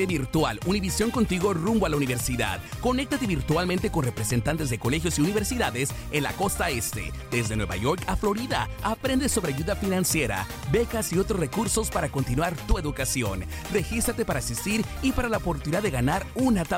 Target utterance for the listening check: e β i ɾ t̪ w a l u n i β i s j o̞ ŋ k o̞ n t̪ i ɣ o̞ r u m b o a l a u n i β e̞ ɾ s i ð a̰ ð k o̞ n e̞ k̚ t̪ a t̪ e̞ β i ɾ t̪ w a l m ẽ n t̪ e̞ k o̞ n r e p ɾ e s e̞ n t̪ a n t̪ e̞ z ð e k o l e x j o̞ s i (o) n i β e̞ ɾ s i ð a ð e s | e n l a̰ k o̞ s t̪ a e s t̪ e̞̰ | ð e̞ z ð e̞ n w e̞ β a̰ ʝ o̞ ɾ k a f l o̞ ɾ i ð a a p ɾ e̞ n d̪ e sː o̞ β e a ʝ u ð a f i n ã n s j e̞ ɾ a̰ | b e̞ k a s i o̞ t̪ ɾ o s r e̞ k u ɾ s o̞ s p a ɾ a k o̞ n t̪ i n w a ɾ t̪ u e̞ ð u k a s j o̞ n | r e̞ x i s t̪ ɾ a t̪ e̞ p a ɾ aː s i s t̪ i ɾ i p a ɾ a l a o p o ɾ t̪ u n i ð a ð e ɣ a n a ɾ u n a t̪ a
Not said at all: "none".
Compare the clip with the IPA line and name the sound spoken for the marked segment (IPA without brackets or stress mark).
u